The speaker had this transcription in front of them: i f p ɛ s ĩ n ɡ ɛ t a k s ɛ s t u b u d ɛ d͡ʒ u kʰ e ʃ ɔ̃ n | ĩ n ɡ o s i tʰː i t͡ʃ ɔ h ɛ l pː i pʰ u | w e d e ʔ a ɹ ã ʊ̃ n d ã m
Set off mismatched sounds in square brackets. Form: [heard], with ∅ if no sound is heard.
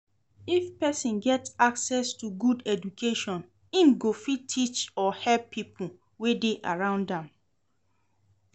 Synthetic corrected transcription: i f p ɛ s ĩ n ɡ ɛ t a k s ɛ s t u [ɡ] u d ɛ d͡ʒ u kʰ e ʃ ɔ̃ n | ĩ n ɡ o [f] i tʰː i t͡ʃ ɔ h ɛ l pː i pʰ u | w e d e ʔ a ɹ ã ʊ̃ n d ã m

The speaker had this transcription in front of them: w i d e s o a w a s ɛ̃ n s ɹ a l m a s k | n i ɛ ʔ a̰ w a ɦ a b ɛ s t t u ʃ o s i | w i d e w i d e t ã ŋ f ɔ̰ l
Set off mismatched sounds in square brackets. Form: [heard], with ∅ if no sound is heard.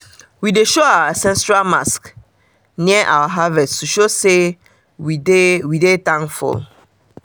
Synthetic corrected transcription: w i d e [ʃ] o a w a s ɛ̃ n s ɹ a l m a s k | n i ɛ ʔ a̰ w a ɦ a [v] ɛ s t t u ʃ o s [e] | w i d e w i d e t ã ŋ f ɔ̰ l

